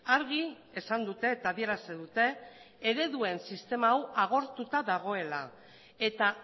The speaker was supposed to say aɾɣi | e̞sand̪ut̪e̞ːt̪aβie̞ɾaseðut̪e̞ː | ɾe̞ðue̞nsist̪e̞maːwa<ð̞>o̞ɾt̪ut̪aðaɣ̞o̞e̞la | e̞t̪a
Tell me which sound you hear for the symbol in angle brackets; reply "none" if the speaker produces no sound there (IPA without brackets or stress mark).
ɣ̞